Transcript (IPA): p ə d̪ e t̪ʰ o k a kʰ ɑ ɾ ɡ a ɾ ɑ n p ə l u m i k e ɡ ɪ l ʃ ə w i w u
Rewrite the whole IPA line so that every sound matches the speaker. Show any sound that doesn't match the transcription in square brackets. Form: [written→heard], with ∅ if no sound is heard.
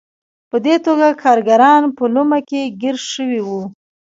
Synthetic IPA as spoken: p ə d̪ e [t̪ʰ→t̪] o [k→ɡ] a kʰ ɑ ɾ ɡ a ɾ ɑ n p ə l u m [i→a] k e ɡ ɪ [l→ɾ] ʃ ə w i w u